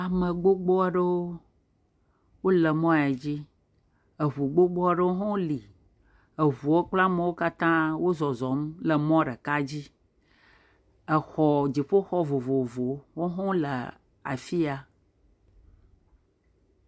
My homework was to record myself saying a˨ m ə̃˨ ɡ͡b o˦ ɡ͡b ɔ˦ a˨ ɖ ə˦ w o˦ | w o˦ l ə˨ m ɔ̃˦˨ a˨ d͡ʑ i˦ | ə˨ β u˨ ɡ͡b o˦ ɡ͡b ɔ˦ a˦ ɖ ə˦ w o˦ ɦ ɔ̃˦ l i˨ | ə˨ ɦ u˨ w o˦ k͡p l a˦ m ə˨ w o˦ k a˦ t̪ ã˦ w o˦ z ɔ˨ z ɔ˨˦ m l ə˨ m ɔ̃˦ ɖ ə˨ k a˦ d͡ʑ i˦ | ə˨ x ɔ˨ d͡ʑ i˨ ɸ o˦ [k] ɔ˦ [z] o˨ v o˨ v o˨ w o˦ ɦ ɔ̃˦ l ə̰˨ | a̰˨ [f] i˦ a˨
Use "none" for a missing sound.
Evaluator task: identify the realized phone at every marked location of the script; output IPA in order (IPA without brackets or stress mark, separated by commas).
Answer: x, v, f